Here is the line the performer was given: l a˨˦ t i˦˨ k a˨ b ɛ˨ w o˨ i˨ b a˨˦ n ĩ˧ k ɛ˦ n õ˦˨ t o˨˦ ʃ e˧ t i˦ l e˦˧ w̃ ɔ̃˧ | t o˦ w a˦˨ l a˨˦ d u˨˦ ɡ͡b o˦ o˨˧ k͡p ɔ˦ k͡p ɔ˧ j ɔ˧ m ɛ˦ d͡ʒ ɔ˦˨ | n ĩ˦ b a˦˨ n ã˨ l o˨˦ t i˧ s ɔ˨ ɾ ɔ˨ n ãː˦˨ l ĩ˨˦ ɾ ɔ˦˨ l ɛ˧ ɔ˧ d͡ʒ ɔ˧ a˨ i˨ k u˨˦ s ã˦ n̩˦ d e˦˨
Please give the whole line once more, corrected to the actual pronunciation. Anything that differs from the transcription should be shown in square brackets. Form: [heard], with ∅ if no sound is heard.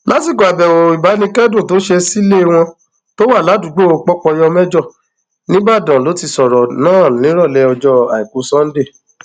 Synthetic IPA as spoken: l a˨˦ t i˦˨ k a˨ b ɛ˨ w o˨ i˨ b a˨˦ n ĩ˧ k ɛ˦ [d] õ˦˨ t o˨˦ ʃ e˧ [s] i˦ l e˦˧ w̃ ɔ̃˧ | t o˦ w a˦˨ l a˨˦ d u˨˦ ɡ͡b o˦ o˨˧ k͡p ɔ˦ k͡p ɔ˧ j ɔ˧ m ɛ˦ d͡ʒ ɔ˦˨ | n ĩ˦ b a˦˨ [d] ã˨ l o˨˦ t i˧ s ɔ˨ ɾ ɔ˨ n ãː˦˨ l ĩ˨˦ ɾ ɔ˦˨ l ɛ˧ ɔ˧ d͡ʒ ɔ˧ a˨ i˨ k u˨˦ s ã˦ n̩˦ d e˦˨

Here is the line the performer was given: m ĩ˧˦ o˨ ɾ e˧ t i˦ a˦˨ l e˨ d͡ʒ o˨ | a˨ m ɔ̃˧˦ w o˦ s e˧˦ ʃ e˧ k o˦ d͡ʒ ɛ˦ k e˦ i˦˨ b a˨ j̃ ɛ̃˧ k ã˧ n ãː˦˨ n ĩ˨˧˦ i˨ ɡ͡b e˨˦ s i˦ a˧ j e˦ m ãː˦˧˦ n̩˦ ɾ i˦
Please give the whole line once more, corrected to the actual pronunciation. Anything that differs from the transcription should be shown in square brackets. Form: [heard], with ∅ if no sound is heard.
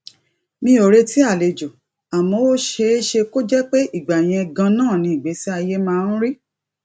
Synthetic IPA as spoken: m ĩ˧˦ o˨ ɾ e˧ t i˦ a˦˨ l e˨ d͡ʒ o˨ | a˨ m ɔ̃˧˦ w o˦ [ʃ] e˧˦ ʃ e˧ k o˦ d͡ʒ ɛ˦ [k͡p] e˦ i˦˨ [ɡ͡b] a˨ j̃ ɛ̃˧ [ɡ] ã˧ n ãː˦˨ n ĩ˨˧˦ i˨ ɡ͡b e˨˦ s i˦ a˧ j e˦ m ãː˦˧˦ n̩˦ ɾ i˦

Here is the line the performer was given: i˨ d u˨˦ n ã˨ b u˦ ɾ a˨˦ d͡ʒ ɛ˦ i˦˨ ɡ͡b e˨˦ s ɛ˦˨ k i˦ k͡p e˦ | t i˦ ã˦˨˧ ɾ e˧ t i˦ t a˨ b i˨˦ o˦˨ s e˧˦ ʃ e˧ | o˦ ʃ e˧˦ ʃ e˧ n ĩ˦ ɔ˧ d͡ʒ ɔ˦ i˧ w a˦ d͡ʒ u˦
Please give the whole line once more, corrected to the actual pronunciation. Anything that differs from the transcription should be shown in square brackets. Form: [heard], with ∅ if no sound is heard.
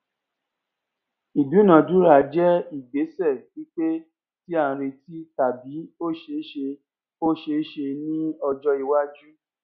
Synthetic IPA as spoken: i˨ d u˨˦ n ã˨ [d] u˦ ɾ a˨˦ d͡ʒ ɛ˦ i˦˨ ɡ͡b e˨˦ s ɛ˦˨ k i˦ k͡p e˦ | t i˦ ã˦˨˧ ɾ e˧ t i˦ t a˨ b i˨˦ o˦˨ [ʃ] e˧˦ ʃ e˧ | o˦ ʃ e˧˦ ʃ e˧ n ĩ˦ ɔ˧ d͡ʒ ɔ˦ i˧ w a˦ d͡ʒ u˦

